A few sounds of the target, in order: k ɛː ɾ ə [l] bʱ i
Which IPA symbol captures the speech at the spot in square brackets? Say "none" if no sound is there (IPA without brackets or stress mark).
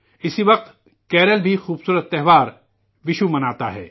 l